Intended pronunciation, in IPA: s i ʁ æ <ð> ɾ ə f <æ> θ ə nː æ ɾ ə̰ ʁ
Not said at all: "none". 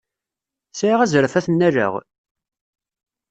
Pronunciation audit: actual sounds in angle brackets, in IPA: z, æ

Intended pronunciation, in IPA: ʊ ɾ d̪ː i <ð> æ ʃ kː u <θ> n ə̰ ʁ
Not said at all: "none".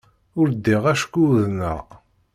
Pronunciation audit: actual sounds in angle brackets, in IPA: ʁ, ð

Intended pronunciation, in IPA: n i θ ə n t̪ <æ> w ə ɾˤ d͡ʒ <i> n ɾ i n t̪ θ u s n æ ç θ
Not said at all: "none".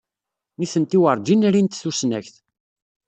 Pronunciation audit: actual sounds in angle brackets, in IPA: i, i

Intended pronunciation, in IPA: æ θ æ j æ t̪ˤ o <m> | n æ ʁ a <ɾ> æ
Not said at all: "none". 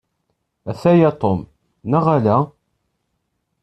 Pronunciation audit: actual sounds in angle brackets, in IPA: m, l

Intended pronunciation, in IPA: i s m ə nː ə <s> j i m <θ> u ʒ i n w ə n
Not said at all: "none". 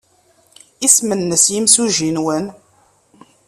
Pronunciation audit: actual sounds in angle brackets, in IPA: s, s

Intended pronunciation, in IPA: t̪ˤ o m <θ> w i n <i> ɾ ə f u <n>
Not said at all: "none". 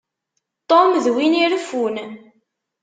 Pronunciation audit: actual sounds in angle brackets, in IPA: ð, i, n

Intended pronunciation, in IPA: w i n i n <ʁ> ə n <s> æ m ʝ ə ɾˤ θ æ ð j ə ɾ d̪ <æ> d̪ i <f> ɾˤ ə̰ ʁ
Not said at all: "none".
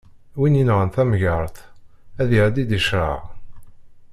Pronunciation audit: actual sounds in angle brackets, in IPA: ʁ, θ, i, ʃ

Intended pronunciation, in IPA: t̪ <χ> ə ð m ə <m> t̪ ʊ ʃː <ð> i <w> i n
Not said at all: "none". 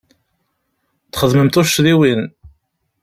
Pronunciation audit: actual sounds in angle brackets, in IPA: χ, m, ð, w

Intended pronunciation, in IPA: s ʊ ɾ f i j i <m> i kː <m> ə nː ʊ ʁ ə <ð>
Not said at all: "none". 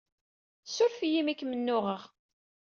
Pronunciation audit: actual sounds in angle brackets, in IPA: m, m, ʁ

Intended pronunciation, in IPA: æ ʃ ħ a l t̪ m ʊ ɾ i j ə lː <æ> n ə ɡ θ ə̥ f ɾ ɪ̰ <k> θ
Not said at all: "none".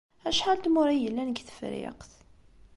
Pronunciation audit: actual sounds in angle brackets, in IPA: æ, q

